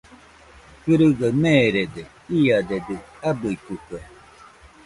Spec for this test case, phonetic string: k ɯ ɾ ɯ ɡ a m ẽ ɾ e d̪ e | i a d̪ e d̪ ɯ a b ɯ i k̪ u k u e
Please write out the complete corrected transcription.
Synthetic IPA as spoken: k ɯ ɾ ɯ ɡ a m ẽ ɾ e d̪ e | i a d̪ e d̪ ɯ a b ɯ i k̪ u k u e